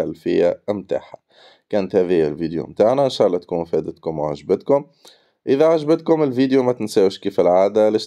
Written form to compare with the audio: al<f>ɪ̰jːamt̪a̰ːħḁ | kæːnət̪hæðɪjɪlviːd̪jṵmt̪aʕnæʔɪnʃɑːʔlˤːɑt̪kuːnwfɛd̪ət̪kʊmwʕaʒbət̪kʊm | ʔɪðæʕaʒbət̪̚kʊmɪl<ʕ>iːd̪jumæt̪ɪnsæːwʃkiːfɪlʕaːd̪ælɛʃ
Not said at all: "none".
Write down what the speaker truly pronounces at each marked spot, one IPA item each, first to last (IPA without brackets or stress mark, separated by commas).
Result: f, v